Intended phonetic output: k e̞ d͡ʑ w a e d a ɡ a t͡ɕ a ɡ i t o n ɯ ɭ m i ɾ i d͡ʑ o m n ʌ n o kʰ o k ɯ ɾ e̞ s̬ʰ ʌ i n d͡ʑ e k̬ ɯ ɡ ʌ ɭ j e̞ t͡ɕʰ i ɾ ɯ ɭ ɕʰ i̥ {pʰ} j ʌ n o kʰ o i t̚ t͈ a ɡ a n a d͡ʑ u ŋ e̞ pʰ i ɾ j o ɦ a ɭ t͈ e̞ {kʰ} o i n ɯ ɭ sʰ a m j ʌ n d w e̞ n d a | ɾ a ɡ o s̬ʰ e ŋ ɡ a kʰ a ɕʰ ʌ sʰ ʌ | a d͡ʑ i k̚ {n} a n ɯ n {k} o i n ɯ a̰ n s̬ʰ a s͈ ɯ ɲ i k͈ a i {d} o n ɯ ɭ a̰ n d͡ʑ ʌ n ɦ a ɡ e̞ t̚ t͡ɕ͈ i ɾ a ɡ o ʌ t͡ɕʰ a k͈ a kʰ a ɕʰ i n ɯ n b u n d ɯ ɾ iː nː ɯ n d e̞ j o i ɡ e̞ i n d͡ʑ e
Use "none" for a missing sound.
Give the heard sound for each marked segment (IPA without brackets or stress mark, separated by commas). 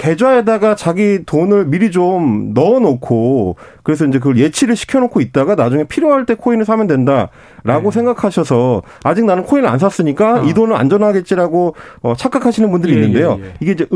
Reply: kʰ, kʰ, n, kʰ, d